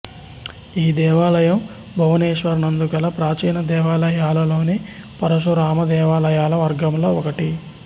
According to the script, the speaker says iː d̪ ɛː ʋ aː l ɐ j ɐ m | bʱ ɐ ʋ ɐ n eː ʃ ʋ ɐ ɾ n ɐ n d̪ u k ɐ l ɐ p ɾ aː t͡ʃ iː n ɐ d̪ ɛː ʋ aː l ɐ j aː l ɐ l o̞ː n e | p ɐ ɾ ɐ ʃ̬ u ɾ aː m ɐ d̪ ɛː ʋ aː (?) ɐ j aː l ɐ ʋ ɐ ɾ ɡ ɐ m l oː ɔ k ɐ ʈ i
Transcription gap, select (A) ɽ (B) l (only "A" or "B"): B